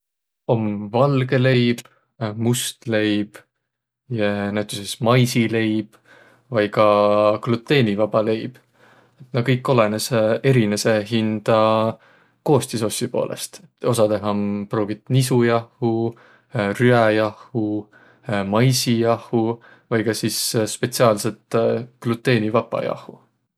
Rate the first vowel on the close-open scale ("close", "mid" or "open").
mid